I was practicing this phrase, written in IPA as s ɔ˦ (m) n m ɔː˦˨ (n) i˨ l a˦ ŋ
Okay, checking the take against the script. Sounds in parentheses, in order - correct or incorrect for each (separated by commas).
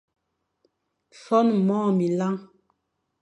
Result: incorrect, incorrect